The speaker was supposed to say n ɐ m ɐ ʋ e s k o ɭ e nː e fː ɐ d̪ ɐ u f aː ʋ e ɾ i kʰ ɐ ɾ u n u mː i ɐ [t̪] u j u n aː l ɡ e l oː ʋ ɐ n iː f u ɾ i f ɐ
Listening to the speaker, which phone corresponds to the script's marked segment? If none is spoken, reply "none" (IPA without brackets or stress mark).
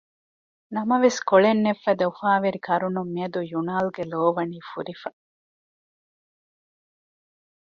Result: d̪